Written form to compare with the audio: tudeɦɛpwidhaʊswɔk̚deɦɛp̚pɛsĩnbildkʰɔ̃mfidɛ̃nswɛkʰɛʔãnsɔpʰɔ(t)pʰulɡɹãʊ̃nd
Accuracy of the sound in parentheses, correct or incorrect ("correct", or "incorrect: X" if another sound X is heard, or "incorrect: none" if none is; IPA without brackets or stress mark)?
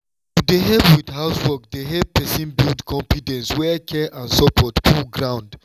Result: correct